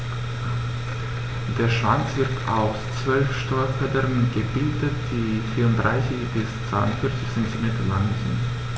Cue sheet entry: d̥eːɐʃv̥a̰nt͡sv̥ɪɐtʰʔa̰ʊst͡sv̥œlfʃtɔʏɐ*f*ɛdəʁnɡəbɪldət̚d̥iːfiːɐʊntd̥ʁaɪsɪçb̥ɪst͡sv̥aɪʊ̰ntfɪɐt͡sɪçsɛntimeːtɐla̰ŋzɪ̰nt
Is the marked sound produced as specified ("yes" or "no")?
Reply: yes